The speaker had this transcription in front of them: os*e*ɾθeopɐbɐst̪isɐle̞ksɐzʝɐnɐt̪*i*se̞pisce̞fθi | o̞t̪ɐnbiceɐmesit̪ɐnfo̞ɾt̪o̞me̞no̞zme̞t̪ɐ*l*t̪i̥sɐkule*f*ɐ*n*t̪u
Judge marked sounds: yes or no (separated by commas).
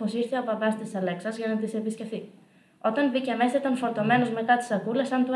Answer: no, yes, no, no, yes